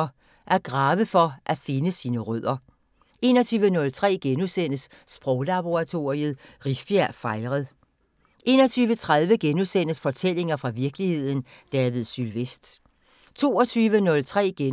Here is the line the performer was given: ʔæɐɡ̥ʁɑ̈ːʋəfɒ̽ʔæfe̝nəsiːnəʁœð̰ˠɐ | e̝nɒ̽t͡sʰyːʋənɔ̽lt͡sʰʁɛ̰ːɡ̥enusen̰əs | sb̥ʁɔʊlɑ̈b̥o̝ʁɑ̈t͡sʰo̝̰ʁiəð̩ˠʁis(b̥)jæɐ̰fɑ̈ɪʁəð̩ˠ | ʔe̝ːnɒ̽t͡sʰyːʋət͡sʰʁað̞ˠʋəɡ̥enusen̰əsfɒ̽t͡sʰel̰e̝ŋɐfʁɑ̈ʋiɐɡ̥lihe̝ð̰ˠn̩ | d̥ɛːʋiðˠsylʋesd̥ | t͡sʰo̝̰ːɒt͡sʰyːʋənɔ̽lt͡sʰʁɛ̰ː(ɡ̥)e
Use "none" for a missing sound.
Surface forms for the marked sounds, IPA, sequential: b̥, ɡ̥

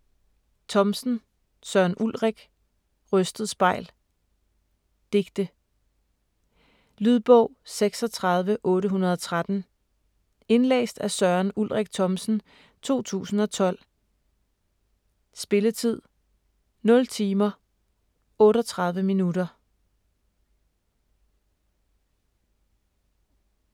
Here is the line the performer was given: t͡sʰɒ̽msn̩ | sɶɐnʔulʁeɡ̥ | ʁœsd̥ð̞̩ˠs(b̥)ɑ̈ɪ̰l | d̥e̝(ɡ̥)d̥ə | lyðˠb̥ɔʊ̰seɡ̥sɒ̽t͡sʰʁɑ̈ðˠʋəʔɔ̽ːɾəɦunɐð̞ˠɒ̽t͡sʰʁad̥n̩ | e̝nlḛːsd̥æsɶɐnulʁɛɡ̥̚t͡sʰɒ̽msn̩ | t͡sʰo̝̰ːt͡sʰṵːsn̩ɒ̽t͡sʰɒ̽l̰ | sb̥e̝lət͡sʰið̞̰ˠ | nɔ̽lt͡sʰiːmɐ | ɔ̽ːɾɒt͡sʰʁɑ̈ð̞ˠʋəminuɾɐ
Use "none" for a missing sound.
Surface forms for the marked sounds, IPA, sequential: b̥, ɡ̥

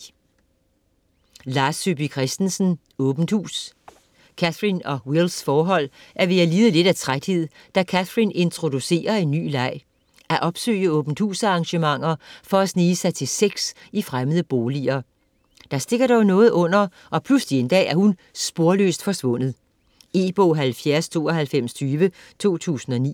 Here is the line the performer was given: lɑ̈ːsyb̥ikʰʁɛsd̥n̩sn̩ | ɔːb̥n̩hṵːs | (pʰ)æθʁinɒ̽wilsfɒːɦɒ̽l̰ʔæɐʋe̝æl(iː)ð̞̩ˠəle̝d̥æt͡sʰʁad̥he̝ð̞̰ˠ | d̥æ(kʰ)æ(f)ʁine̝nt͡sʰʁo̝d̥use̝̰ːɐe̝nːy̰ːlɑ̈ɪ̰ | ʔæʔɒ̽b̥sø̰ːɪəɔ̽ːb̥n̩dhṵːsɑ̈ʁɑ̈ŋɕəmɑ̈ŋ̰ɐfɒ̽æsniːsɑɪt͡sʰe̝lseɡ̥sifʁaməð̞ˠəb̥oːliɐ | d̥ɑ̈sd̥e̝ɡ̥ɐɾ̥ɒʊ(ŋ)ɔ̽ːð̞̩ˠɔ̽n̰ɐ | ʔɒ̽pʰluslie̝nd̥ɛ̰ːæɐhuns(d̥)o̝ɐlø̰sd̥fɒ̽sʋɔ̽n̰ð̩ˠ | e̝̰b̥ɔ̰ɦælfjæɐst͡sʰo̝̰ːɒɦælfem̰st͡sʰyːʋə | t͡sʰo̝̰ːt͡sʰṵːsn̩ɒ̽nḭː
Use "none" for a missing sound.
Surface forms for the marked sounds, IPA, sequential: kʰ, iː, kʰ, θ, n, b̥

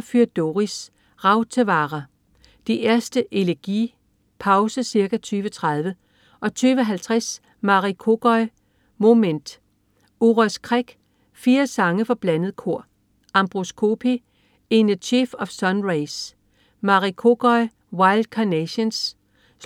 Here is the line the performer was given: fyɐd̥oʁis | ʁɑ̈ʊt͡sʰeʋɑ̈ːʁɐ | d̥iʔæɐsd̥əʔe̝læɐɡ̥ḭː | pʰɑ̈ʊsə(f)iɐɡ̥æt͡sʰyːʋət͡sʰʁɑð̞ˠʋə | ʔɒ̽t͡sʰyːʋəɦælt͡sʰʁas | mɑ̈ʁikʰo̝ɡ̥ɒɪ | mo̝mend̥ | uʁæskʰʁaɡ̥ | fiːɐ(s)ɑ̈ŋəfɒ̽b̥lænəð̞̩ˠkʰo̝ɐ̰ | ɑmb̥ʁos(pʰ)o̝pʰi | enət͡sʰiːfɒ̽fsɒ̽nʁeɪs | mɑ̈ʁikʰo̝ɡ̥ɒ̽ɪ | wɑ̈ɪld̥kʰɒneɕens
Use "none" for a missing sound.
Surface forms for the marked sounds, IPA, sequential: s, s, kʰ

